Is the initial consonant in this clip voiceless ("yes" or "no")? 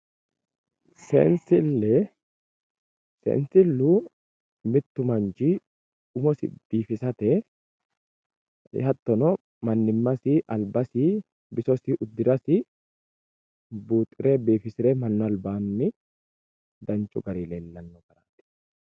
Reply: yes